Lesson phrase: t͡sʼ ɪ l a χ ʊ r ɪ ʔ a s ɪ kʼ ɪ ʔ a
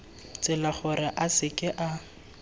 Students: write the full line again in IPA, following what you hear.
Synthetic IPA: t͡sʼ ɪ l a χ ʊ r ɪ ʔ a s ɪ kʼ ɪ ʔ a